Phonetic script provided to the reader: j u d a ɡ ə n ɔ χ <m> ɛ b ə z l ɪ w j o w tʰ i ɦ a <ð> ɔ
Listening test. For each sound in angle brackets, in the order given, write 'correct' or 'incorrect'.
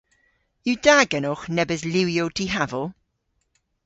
incorrect: n, incorrect: v

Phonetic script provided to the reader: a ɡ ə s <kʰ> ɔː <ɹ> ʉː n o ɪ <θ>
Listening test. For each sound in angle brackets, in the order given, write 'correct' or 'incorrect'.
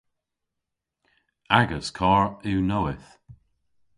correct, correct, correct

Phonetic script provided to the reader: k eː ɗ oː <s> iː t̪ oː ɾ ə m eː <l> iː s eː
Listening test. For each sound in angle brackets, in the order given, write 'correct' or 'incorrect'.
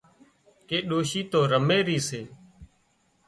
incorrect: ʃ, incorrect: ɾ

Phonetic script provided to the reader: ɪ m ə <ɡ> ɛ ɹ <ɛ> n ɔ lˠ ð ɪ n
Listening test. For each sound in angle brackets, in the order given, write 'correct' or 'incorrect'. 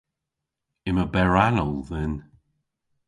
incorrect: b, incorrect: a

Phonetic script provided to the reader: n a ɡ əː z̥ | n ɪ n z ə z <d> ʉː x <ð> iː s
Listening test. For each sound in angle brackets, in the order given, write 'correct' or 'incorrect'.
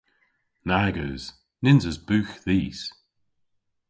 incorrect: b, correct

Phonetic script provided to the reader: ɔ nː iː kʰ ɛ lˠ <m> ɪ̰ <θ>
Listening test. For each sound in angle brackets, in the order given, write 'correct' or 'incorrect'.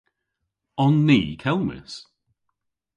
correct, incorrect: s

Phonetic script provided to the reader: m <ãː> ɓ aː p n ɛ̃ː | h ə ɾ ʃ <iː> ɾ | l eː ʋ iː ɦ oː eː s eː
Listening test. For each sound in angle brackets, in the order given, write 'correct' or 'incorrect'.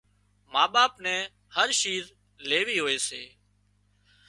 incorrect: aː, correct

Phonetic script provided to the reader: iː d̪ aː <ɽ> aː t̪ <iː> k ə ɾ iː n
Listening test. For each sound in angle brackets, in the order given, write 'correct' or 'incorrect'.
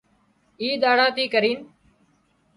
correct, correct

